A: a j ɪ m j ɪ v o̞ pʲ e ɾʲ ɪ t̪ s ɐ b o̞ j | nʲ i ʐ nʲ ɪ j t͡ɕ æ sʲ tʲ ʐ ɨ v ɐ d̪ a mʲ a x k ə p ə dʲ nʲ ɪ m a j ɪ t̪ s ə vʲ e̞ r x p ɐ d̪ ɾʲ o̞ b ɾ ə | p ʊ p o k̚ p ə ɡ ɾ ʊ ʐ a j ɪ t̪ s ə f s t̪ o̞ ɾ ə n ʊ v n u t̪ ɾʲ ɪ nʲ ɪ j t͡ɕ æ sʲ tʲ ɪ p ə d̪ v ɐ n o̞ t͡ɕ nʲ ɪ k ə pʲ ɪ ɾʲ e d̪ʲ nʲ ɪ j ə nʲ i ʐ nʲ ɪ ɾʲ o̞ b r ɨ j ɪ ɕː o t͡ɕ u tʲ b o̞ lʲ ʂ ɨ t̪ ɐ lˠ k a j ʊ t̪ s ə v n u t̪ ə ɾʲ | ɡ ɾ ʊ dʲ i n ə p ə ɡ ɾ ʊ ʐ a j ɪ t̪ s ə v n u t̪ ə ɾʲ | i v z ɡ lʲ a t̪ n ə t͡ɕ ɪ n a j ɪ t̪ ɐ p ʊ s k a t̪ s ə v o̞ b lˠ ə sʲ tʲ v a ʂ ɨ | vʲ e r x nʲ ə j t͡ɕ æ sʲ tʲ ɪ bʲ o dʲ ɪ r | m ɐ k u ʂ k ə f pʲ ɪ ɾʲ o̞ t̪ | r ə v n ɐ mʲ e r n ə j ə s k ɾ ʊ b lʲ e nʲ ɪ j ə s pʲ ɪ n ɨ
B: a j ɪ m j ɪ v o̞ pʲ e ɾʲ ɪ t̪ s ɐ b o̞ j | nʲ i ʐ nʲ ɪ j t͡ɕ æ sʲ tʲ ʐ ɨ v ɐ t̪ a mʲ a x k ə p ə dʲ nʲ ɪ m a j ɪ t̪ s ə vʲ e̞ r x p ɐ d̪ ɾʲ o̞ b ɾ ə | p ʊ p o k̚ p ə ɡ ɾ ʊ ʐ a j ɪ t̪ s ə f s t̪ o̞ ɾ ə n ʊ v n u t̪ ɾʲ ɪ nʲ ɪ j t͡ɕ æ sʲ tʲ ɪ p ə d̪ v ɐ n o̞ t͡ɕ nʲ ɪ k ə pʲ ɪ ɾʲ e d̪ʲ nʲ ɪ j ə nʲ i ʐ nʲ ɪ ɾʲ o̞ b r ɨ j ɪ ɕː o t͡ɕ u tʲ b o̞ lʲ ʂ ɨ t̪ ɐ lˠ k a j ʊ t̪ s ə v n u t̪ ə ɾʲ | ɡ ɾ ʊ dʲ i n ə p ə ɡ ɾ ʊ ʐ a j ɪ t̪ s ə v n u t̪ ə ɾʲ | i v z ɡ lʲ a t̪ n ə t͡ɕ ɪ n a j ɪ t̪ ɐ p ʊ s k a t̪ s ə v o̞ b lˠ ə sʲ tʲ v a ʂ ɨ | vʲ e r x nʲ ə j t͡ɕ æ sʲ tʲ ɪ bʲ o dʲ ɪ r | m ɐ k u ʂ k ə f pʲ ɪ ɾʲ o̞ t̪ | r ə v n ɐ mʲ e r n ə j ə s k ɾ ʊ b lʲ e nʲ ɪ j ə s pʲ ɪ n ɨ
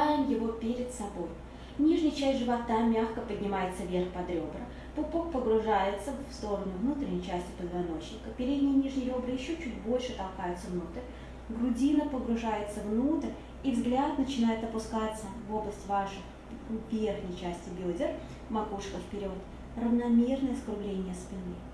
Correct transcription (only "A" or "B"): B